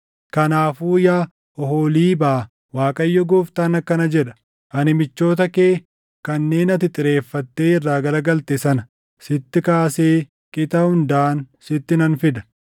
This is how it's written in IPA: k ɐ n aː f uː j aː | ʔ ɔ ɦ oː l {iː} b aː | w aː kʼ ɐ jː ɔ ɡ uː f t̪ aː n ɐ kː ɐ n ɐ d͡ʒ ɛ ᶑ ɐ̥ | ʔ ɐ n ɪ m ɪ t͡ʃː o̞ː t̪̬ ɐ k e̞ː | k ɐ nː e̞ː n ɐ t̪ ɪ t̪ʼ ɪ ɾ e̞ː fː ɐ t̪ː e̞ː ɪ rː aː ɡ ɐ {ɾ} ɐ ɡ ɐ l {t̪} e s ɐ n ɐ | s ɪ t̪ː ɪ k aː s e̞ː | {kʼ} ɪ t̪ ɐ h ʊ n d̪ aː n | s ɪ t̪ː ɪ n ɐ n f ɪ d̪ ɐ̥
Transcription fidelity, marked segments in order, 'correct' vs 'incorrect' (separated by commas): correct, incorrect, correct, correct